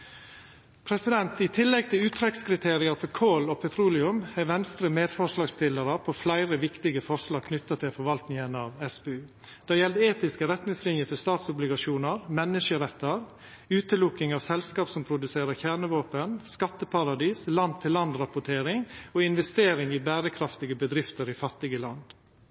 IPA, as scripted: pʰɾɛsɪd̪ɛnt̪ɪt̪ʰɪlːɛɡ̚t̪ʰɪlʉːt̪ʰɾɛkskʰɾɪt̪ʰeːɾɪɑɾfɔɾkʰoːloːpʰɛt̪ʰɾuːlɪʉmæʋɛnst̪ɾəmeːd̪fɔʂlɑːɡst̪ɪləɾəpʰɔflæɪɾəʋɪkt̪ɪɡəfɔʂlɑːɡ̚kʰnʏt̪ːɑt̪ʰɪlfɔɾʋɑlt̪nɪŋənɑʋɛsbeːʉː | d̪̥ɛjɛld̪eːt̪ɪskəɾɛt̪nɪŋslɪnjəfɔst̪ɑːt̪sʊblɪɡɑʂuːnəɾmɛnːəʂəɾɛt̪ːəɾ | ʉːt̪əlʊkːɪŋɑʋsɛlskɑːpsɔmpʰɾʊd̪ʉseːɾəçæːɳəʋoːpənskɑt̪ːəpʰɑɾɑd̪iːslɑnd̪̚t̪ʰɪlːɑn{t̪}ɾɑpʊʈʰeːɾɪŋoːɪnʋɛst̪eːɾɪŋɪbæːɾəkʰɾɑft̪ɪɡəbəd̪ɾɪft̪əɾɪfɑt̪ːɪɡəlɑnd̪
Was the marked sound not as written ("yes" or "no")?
yes